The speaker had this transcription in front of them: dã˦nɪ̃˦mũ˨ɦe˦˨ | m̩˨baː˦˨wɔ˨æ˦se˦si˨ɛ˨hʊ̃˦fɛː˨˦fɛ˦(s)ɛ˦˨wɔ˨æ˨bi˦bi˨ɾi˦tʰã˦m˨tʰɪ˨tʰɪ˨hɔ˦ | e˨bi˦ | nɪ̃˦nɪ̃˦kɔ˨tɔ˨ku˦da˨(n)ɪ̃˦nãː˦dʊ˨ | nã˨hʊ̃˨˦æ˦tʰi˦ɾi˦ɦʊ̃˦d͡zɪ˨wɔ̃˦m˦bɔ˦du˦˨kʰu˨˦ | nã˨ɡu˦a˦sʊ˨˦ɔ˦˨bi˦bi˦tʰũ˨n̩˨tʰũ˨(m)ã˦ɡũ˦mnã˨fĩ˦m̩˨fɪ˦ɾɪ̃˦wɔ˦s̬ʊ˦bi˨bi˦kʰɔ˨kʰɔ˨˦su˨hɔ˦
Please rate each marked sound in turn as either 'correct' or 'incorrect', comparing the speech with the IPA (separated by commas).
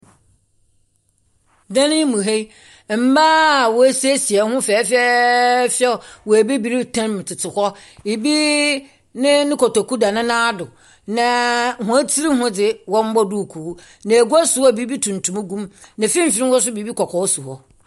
incorrect, correct, correct